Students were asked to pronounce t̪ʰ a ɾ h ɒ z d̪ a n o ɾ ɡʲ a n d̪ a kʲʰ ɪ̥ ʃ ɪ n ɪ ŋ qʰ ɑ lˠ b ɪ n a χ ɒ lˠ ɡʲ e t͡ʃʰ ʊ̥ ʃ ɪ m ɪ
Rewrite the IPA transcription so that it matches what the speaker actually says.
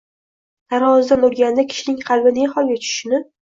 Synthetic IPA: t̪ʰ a ɾ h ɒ z d̪ a n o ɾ ɡʲ a n d̪ a kʲʰ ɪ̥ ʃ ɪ n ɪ ŋ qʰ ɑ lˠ b ɪ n e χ ɒ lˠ ɡʲ a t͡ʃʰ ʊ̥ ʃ ɪ n ɪ